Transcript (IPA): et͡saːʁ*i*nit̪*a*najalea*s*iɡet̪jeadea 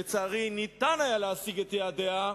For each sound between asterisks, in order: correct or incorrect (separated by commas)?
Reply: correct, correct, correct